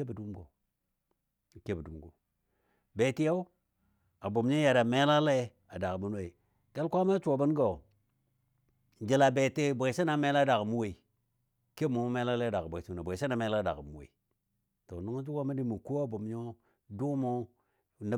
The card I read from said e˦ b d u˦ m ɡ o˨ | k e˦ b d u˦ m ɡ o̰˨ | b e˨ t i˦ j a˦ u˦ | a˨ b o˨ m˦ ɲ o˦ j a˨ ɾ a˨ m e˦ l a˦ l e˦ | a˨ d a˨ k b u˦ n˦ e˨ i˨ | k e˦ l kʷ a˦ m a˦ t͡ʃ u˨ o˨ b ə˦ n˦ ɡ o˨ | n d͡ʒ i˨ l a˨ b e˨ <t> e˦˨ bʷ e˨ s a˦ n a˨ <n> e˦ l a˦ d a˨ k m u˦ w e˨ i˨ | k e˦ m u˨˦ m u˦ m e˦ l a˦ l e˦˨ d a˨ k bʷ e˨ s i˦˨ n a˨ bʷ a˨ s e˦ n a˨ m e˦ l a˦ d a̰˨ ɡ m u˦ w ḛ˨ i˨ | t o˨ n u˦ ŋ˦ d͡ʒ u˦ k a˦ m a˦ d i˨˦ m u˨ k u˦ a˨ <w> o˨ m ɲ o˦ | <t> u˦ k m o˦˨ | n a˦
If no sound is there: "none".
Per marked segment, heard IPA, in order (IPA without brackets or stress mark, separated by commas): t, m, b, d